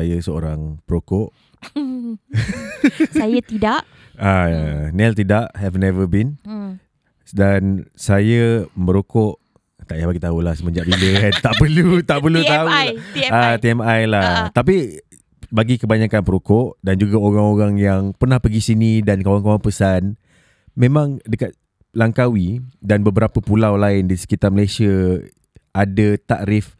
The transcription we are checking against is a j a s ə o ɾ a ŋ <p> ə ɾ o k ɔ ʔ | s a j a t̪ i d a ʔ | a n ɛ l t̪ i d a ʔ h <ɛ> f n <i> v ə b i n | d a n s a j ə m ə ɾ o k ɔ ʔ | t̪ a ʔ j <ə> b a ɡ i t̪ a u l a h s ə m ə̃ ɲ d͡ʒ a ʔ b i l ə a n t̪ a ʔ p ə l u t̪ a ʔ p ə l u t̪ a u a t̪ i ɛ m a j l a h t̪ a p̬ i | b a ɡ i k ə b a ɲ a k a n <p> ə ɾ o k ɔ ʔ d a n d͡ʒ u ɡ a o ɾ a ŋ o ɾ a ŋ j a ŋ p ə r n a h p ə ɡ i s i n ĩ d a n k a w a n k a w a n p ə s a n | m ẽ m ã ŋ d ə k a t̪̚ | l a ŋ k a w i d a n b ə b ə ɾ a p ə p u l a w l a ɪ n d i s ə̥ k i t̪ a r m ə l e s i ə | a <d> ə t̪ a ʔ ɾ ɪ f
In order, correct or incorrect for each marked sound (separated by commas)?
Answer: correct, correct, incorrect, incorrect, correct, correct